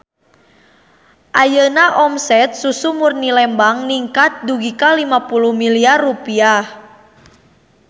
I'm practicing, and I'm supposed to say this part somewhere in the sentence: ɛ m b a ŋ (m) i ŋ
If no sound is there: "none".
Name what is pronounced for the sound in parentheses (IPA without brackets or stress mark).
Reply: n